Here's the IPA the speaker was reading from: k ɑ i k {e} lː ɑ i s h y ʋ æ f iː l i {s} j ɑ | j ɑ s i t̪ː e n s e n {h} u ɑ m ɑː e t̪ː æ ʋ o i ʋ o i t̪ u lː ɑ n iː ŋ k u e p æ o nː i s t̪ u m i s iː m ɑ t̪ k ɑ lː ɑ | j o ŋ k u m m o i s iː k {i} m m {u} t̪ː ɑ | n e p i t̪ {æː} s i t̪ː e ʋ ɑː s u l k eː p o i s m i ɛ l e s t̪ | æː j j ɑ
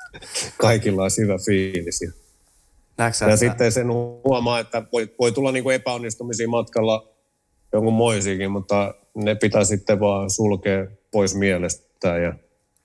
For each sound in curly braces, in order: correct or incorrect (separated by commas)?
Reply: incorrect, correct, correct, correct, correct, incorrect